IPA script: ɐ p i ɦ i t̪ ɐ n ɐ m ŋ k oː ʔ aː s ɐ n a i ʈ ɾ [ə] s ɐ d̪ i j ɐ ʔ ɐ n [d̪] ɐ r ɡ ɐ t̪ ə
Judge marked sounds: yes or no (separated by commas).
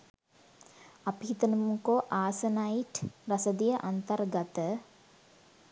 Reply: no, no